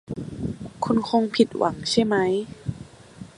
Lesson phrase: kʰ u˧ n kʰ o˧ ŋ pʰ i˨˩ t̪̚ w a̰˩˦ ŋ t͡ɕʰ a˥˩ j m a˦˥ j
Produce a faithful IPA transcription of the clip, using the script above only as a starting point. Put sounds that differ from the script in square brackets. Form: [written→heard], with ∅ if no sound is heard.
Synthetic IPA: kʰ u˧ n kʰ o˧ ŋ pʰ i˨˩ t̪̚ w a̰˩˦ ŋ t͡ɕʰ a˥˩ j m a˦˥ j